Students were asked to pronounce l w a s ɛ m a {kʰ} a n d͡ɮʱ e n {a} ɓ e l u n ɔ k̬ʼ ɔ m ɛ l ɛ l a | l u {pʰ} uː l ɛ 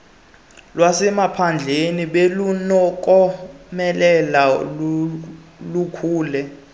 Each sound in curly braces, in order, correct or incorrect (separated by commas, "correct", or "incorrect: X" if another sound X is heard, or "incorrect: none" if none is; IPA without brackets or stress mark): incorrect: pʰ, incorrect: i, incorrect: kʰ